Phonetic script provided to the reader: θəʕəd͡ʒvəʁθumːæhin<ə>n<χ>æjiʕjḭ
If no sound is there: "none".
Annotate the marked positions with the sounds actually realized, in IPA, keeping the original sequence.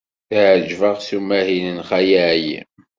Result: ə, χ

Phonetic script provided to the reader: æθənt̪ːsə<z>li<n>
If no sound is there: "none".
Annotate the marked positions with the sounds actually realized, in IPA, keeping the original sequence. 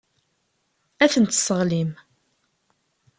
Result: ʁ, m

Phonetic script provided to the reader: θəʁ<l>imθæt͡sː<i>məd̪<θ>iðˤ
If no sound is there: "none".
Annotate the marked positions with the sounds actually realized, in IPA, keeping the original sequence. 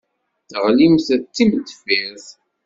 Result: l, i, f

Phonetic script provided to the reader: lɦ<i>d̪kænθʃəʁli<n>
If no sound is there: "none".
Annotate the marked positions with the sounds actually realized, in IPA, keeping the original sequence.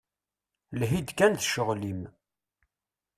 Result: i, m

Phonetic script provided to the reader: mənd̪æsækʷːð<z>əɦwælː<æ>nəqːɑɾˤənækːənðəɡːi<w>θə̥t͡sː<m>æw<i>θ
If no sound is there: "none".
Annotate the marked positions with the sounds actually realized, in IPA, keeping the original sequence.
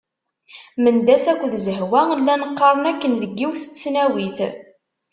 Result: z, æ, w, n, i

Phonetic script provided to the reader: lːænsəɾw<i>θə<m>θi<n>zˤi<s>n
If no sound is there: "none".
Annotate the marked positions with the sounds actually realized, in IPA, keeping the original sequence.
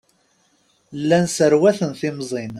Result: æ, n, m, none

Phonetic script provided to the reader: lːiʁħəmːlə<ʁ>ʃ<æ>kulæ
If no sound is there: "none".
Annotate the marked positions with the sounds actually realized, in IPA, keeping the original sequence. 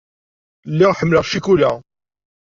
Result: ʁ, i

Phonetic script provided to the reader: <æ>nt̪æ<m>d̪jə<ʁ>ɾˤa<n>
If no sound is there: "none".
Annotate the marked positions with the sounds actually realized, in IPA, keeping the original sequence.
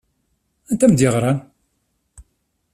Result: æ, m, ʁ, n

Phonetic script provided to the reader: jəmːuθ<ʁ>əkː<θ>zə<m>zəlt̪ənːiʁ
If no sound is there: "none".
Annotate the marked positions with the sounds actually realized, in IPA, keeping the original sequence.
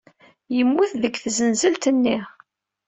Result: ð, θ, n

